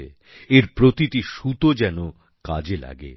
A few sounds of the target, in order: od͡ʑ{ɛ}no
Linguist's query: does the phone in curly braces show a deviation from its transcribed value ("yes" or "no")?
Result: no